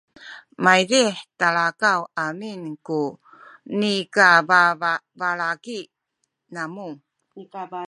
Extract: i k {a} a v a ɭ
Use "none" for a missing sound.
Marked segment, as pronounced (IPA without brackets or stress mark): a